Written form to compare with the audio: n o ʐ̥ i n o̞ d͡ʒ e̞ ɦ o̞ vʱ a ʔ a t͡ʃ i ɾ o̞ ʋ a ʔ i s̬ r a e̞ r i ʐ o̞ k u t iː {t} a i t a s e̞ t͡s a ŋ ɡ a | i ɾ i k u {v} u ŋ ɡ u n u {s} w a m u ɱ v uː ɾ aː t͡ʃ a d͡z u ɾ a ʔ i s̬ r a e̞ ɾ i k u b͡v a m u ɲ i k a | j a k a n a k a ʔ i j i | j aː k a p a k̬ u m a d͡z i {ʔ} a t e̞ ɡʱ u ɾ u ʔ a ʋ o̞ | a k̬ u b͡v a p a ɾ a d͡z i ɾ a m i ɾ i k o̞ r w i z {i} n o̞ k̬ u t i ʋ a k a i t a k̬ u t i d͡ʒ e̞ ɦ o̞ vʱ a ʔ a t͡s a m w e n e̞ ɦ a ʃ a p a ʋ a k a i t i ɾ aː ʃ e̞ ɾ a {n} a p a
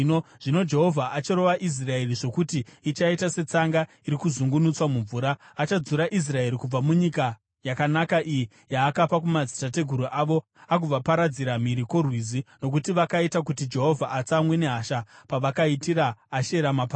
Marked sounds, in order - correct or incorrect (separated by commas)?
incorrect, incorrect, incorrect, incorrect, correct, incorrect